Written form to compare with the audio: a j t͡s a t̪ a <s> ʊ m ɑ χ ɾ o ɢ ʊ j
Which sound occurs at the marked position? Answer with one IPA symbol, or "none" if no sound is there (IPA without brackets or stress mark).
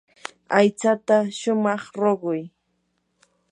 ʃ